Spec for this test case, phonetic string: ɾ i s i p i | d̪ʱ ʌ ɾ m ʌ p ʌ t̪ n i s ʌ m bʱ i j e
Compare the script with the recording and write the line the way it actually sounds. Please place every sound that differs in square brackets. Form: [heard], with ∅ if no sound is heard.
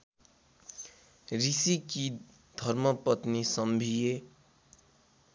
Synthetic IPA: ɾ i s i [k] i | d̪ʱ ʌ ɾ m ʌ p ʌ t̪ n i s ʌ m bʱ i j e